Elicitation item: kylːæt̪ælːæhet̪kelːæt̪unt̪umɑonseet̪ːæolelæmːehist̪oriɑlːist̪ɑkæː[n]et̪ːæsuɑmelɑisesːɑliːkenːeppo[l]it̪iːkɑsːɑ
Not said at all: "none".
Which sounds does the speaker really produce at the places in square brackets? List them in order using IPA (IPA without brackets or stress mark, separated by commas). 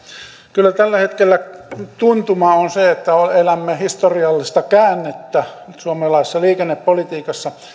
nː, l